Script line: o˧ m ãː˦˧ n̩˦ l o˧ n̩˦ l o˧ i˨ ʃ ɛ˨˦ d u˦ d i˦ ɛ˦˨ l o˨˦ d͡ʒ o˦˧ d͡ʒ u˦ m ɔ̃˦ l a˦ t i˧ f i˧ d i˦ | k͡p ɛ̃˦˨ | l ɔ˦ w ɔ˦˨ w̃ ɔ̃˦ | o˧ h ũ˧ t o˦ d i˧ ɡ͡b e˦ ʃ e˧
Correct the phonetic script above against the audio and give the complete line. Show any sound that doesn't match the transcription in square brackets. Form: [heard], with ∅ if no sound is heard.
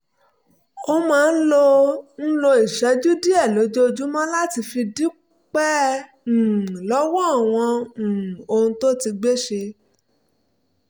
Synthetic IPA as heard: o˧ m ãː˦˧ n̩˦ l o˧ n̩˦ l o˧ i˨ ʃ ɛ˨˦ [d͡ʒ] u˦ d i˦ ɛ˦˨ l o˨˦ d͡ʒ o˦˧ d͡ʒ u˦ m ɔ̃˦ l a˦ t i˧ f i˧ d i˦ | k͡p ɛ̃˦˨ | l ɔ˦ w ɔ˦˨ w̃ [ɔ̃˧˨] | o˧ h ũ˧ t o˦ [t] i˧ ɡ͡b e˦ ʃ e˧